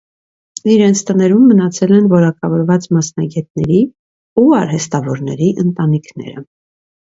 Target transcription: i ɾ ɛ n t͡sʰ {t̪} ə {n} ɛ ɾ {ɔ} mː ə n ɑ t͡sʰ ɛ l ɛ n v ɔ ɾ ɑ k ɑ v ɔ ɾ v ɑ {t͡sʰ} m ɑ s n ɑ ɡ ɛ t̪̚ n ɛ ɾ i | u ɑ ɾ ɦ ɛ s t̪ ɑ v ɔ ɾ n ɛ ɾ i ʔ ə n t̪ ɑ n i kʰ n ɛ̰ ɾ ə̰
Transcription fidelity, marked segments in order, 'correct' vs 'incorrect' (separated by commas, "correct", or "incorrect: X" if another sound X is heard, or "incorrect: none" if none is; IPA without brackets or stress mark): correct, correct, incorrect: u, incorrect: t͡s